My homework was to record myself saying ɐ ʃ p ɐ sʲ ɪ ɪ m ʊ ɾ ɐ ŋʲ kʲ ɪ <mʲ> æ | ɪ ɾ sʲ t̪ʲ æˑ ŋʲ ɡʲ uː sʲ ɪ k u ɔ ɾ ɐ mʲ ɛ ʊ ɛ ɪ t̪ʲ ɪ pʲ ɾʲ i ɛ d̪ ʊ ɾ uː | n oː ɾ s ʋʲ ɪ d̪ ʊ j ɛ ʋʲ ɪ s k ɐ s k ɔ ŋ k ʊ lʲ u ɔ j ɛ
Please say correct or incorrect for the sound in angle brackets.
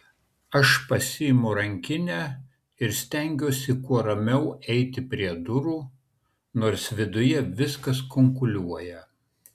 incorrect